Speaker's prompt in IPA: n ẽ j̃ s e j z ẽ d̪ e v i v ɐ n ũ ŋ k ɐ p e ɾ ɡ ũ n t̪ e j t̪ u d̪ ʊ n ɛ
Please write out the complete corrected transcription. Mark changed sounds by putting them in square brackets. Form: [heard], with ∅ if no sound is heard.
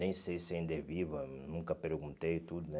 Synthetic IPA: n ẽ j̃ s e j [s] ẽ d̪ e v i v ɐ n ũ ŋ k ɐ p e ɾ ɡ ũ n t̪ e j t̪ u d̪ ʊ n ɛ

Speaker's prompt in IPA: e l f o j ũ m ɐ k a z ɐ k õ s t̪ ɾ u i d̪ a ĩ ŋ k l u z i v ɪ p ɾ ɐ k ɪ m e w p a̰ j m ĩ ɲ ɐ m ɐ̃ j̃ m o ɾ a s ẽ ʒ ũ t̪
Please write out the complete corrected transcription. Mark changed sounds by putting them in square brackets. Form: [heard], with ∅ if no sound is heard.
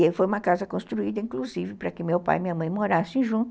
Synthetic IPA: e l f o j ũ m ɐ k a z ɐ k õ s t̪ ɾ u i d̪ [ɐ] ĩ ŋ k l u z i v ɪ p ɾ ɐ k ɪ m e w p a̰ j m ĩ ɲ ɐ m ɐ̃ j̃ m o ɾ a s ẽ ʒ ũ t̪

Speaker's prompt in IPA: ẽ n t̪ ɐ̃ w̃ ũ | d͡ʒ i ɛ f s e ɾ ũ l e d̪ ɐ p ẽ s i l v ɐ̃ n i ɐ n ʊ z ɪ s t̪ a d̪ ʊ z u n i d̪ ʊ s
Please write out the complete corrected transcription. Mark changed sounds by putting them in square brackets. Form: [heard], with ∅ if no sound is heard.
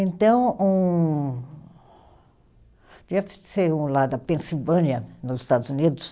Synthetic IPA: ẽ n t̪ ɐ̃ w̃ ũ | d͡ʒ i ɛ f s e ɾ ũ l [a] d̪ ɐ p ẽ s i l v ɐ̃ n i ɐ n ʊ z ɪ s t̪ a d̪ ʊ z u n i d̪ ʊ s

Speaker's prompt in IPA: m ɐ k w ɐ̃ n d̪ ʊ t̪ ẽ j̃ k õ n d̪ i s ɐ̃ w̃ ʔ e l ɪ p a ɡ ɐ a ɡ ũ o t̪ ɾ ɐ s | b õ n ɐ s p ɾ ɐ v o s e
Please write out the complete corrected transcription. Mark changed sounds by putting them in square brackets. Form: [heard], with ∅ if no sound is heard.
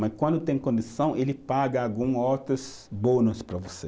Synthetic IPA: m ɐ k w ɐ̃ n d̪ ʊ t̪ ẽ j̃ k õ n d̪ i s ɐ̃ w̃ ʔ e l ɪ p a ɡ ɐ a ɡ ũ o t̪ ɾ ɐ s | b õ n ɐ s p ɾ ɐ v o s e

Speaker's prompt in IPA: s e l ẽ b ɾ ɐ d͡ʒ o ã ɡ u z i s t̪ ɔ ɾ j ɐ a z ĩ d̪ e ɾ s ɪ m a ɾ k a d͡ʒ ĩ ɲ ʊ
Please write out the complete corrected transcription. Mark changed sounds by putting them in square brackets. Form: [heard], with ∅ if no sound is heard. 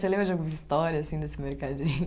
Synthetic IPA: s e l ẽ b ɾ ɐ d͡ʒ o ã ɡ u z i s t̪ ɔ ɾ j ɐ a [s] ĩ d̪ e [∅] s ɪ m [e] ɾ k a d͡ʒ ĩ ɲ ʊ

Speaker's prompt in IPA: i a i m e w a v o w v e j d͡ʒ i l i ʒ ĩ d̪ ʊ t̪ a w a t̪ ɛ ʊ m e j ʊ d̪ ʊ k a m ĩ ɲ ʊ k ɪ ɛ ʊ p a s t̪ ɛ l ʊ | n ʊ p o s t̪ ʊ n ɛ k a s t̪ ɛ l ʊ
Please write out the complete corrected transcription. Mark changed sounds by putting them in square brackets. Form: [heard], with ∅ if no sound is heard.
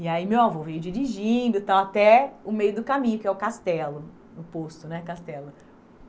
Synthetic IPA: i a i m e w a v o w v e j d͡ʒ i [ɾ] i ʒ ĩ d̪ ʊ t̪ a w a t̪ ɛ ʊ m e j ʊ d̪ ʊ k a m ĩ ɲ ʊ k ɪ ɛ ʊ [k] a s t̪ ɛ l ʊ | n ʊ p o s t̪ ʊ n ɛ k a s t̪ ɛ l ʊ

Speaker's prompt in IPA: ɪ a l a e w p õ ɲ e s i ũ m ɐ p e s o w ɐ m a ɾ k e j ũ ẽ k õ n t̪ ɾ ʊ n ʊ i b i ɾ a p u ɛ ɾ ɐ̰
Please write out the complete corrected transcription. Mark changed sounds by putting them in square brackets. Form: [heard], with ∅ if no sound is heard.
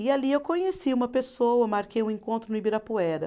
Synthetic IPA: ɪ a l [i] e w [k] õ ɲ e s i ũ m ɐ p e s o w ɐ m a ɾ k e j ũ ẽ k õ n t̪ ɾ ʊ n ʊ i b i ɾ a p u ɛ ɾ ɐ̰

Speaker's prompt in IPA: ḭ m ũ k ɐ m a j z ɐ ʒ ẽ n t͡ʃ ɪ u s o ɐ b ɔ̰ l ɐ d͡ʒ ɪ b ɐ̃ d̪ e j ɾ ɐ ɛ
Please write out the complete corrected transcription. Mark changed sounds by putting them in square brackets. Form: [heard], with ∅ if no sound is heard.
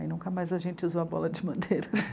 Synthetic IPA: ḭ [n] ũ k ɐ m a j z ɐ ʒ ẽ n t͡ʃ ɪ u [z] o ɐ b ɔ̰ l ɐ d͡ʒ ɪ [m] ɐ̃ d̪ e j ɾ ɐ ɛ

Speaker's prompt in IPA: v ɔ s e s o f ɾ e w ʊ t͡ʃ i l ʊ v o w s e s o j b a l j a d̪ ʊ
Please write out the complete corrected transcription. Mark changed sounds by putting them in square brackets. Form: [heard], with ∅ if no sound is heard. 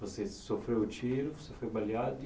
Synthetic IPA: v [o] s e s o f ɾ e w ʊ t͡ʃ i [ɾ] ʊ v o [∅] s e [f] o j b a l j a d̪ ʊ

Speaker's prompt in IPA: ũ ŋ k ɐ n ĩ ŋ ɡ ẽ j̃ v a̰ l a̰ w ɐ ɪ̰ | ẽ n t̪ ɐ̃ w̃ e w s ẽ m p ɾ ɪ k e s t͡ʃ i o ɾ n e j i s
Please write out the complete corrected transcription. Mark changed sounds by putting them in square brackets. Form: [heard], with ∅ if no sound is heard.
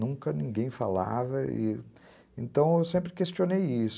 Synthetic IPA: ũ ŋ k ɐ n ĩ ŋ ɡ ẽ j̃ [f] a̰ l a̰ [v] ɐ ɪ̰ | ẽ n t̪ ɐ̃ w̃ e w s ẽ m p ɾ ɪ k e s t͡ʃ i o [∅] n e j i s

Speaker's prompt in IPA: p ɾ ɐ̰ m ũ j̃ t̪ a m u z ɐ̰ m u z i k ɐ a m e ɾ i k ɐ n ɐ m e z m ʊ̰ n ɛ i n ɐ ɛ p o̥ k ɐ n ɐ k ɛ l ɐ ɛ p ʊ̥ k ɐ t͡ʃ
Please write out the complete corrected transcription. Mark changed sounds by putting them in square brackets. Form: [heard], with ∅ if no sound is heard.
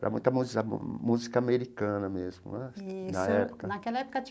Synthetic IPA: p ɾ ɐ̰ m ũ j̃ t̪ [ɐ] m u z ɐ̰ m u z i k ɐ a m e ɾ i k [ɐ̃] n ɐ m e z m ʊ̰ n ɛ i n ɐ ɛ p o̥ k ɐ n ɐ k ɛ l ɐ ɛ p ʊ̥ k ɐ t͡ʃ

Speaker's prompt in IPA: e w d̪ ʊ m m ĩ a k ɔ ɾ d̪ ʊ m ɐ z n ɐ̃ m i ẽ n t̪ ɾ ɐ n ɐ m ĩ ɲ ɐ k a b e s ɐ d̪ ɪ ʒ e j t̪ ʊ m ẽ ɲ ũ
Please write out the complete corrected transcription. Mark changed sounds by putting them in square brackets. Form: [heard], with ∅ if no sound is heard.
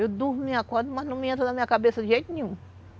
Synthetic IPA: e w d̪ [u] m m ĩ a k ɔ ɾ d̪ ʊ m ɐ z n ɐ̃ m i ẽ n t̪ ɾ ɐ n ɐ m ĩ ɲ ɐ k a b e s ɐ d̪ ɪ ʒ e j t̪ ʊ [n] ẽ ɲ ũ

